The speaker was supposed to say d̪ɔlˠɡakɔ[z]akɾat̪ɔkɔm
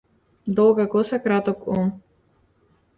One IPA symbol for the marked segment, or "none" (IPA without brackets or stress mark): s